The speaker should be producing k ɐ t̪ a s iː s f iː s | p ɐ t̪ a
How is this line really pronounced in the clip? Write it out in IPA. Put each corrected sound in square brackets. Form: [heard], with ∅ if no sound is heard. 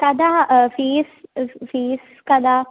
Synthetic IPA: k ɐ [d̪] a [f] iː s f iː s | [k] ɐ [d̪] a